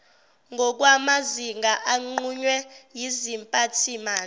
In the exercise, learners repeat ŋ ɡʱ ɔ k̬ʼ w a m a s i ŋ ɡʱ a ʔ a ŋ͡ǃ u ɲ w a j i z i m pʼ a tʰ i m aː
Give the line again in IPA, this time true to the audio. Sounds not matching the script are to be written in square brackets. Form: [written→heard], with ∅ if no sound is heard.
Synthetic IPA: ŋ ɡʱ ɔ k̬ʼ w a m a [s→z] i ŋ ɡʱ a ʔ a ŋ͡ǃ u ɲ w [a→ɛ] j i z i m pʼ a tʰ i m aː